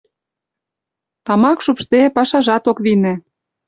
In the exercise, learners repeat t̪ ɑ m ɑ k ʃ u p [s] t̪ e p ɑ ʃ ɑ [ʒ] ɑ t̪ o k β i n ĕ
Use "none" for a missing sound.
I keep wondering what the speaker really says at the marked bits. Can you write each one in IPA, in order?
ʃ, ʒ

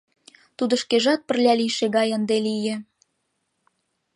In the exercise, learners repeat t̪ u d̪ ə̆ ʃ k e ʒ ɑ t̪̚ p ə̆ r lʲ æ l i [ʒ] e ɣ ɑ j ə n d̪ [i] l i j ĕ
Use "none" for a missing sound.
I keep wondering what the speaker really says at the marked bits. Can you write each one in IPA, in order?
ʃ, e

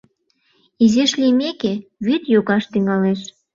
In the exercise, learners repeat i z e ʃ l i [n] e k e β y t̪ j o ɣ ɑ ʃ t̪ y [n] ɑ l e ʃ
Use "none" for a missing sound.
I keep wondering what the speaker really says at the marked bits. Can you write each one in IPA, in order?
m, ŋ

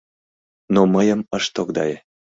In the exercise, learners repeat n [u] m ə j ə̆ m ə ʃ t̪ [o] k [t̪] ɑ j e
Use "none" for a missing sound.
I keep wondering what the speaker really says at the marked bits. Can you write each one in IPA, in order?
o, o, d̪

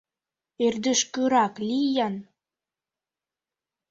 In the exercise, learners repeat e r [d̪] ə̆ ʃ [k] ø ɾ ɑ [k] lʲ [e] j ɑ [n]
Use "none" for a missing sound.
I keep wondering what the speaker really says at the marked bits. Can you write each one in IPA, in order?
d̪, k, k, i, n

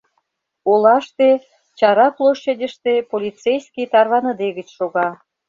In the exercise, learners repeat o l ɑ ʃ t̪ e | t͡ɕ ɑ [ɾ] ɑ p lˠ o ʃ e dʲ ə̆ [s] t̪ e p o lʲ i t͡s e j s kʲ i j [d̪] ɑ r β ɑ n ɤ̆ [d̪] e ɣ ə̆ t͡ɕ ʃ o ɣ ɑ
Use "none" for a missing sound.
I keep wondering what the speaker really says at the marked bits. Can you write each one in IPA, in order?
ɾ, ʃ, t̪, d̪

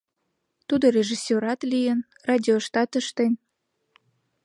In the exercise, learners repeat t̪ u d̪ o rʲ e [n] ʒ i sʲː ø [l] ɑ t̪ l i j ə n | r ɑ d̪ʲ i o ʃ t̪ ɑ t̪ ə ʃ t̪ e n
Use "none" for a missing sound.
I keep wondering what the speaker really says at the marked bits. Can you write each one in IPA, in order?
none, ɾ

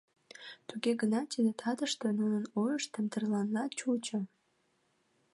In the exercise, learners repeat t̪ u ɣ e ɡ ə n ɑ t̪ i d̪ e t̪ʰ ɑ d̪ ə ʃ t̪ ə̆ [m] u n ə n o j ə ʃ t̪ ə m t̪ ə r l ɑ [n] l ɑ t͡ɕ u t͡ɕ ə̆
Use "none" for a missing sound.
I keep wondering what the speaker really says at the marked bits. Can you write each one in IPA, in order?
n, n

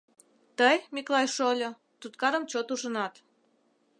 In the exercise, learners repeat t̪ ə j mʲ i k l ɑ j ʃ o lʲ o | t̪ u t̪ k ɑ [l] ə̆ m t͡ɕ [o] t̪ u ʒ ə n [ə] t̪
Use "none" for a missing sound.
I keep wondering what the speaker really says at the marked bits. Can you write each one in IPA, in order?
ɾ, o, ɑ

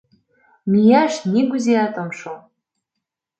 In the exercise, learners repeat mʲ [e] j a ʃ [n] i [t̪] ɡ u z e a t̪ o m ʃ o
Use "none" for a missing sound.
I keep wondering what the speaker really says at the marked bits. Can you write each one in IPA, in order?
i, n, none

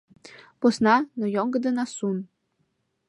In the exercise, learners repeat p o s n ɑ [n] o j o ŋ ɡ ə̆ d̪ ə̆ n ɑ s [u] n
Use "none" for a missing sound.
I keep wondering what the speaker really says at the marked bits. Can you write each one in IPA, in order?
n, u

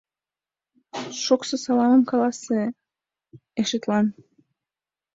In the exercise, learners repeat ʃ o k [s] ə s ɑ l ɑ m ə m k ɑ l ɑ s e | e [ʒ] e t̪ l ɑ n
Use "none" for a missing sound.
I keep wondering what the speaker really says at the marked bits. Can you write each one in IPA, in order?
s, ʃ

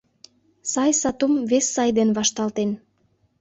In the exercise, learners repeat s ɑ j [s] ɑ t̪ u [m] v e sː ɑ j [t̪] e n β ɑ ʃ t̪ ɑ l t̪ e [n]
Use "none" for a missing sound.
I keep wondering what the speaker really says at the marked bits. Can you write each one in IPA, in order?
s, m, d̪, n

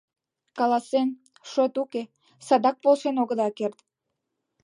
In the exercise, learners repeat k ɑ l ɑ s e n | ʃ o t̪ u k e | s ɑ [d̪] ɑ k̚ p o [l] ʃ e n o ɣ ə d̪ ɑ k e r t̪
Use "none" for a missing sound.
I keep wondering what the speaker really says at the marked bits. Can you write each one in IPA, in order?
d̪, l

